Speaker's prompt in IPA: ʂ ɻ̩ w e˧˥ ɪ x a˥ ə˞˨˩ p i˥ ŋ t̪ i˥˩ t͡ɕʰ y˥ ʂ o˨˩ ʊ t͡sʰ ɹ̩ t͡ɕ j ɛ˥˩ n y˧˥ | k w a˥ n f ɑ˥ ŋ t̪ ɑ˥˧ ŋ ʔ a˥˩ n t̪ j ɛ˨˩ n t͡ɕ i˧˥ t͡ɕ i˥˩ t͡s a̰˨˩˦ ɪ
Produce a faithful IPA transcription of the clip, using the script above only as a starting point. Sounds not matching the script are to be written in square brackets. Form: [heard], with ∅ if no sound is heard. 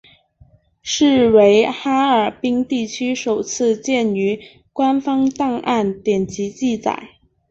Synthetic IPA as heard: ʂ ɻ̩ w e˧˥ ɪ x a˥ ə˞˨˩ p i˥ ŋ t̪ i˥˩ t͡ɕʰ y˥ ʂ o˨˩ ʊ t͡sʰ ɹ̩ t͡ɕ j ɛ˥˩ n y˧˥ | k w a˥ n f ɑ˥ ŋ t̪ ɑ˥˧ ŋ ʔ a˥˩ n t̪ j ɛ˨˩ n t͡ɕ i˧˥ t͡ɕ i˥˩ t͡s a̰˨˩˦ ɪ